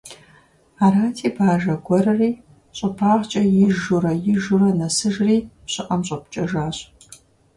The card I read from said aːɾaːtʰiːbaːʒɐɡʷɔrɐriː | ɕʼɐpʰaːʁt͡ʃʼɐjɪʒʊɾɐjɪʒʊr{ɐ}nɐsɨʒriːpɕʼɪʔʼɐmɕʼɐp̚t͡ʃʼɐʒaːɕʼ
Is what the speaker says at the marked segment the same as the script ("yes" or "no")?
yes